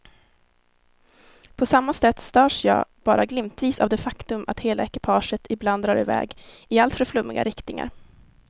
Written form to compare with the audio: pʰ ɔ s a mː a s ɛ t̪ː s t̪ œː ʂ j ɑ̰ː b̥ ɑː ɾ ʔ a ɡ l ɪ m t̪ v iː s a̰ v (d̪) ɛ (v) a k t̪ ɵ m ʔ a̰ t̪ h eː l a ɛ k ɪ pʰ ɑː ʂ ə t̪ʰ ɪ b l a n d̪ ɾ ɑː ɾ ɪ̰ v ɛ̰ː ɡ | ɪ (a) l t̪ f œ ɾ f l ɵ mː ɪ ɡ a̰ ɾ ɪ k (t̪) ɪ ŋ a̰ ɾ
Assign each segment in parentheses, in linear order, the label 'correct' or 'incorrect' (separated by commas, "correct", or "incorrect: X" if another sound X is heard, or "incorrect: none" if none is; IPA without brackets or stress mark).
correct, incorrect: f, correct, correct